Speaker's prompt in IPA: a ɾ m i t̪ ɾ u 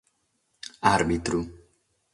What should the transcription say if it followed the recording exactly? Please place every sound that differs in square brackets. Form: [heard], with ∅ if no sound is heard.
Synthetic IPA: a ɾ [b] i t̪ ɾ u